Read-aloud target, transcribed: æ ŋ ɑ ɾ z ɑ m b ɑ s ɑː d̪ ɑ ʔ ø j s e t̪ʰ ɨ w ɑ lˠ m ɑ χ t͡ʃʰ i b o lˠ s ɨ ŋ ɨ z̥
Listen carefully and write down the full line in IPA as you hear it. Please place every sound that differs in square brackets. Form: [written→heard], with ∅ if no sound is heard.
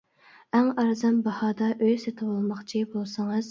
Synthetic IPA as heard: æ ŋ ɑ ɾ z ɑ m b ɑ [s→h] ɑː d̪ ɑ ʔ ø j s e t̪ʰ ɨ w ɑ lˠ m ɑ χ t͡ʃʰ i b o lˠ s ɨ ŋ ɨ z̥

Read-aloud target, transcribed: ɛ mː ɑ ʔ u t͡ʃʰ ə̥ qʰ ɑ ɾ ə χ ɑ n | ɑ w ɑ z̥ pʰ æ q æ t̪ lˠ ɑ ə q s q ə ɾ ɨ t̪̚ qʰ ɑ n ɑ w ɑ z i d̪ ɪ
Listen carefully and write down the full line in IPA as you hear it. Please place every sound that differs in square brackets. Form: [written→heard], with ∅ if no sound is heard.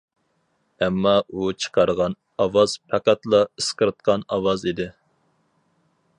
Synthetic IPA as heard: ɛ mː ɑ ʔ u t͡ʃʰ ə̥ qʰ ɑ ɾ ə [χ→ʁ] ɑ n | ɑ w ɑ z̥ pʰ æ q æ t̪ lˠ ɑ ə [q→∅] s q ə ɾ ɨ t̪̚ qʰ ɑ n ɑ w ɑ z i d̪ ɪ

